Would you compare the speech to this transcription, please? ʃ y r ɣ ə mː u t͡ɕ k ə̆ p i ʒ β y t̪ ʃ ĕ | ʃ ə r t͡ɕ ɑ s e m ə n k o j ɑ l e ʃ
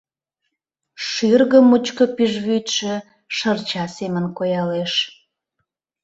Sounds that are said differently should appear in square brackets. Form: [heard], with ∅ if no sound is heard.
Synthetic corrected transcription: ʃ y r ɣ ə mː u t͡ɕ k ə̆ p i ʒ β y t̪ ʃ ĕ | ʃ ə r t͡ɕ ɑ s e m ə n k o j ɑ l e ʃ